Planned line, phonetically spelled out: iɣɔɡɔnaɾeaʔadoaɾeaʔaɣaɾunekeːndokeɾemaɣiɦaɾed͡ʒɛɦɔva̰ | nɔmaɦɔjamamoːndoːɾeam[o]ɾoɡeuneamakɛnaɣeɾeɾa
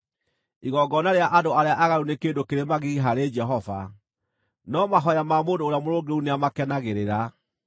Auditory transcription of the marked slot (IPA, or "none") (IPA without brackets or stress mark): o